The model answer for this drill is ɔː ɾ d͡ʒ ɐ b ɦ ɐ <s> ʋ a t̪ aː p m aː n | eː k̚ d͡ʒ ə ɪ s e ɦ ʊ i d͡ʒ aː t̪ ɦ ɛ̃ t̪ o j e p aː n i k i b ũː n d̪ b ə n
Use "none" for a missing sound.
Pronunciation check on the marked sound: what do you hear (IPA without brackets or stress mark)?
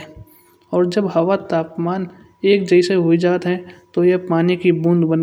none